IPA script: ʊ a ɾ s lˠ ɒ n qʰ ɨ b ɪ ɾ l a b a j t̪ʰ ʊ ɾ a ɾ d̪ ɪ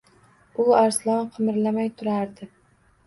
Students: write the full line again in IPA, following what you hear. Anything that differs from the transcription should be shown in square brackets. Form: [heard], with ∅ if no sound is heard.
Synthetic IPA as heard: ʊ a ɾ s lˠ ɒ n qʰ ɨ [m] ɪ ɾ l a [m] a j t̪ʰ ʊ ɾ a ɾ d̪ ɪ